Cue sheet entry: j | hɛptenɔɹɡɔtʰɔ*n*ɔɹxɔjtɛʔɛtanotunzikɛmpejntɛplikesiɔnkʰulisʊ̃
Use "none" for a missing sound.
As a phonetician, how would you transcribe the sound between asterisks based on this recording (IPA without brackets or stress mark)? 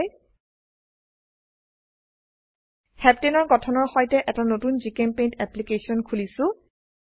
n